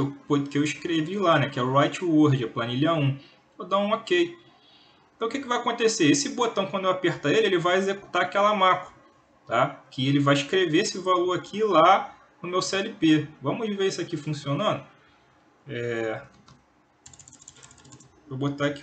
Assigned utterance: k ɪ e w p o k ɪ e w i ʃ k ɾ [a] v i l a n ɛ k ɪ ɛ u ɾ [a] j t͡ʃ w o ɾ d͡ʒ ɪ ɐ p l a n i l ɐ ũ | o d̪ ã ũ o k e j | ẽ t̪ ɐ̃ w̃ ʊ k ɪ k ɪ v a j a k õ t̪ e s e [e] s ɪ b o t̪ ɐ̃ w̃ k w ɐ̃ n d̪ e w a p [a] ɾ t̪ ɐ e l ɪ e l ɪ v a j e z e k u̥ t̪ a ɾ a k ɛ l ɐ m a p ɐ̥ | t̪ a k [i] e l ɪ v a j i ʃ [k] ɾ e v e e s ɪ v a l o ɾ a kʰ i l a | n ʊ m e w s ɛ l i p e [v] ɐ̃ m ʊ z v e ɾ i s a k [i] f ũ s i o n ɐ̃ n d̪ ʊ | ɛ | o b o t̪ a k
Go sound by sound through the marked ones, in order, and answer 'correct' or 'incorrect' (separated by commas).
incorrect, correct, correct, incorrect, incorrect, correct, correct, correct